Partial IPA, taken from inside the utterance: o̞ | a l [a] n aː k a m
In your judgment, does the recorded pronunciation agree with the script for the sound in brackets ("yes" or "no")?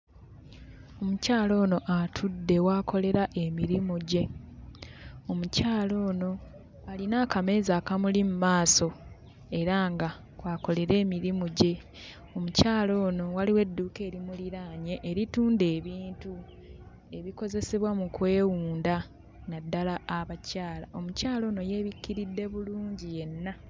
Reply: no